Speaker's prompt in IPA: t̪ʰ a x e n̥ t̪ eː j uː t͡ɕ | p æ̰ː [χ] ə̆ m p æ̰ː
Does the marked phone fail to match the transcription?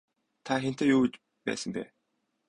yes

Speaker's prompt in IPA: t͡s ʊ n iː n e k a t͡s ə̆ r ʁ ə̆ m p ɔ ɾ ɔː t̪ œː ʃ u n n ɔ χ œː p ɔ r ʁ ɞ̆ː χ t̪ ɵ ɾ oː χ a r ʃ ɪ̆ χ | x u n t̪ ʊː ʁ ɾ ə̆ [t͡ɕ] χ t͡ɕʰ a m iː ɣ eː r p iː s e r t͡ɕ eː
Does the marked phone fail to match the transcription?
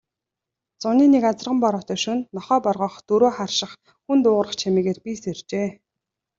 yes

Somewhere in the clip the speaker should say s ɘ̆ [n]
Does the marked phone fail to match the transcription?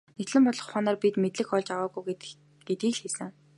yes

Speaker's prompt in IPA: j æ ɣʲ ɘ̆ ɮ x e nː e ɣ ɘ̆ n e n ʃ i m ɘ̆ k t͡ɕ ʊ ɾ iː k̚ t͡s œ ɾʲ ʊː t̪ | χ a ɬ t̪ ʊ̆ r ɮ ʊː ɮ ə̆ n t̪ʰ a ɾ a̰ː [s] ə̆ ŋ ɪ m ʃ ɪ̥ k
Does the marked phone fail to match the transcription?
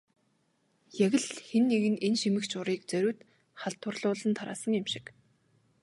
no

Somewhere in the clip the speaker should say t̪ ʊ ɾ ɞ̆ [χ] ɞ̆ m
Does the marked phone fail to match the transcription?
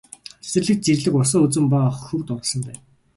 yes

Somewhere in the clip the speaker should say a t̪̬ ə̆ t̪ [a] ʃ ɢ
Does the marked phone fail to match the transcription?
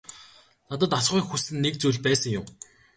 no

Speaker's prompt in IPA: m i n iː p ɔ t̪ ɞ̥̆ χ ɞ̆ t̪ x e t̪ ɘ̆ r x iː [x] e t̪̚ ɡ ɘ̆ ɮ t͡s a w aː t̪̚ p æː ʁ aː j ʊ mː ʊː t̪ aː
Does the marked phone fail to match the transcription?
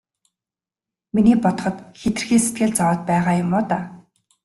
yes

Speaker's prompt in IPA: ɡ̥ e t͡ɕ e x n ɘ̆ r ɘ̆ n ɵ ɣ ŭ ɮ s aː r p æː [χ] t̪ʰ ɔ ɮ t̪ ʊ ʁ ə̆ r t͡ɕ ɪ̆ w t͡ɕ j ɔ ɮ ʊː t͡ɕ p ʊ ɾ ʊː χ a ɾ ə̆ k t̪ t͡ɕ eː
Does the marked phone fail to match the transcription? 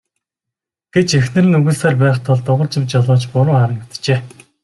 no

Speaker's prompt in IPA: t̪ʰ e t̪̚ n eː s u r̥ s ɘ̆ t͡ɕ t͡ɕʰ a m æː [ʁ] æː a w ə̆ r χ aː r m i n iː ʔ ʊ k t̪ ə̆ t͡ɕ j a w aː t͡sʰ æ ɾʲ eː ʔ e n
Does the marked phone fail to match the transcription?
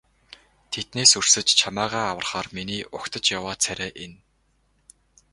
no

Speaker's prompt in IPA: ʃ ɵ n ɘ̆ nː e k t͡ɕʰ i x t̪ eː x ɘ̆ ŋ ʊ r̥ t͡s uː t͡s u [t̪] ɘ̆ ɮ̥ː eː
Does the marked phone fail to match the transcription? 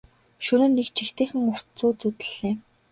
no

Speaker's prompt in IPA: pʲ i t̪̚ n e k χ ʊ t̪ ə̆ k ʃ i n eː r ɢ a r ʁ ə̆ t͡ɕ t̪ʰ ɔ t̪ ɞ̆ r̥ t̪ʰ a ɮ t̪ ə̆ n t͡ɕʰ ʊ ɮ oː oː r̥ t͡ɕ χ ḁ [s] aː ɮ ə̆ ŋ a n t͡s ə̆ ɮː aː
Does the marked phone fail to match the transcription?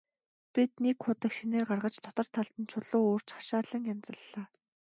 yes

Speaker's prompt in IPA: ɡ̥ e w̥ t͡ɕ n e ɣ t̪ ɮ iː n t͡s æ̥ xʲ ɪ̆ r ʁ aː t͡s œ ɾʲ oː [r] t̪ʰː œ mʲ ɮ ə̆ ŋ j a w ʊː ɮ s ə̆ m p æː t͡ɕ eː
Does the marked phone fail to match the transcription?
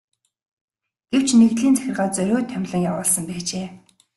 yes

